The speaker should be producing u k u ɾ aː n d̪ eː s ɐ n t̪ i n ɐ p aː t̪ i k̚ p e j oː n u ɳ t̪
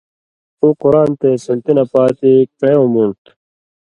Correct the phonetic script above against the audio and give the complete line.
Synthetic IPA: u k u ɾ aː n t̪ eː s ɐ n t̪ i n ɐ p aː t̪ i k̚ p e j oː m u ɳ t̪